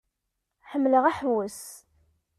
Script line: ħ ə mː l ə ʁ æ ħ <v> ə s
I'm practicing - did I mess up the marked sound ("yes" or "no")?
yes